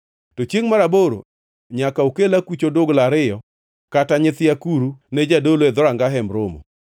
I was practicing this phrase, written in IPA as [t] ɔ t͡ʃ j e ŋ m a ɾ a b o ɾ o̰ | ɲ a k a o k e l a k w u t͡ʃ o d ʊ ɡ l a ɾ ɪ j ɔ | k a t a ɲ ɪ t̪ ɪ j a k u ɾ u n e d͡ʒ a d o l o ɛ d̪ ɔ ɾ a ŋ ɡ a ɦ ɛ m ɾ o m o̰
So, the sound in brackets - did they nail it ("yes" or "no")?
yes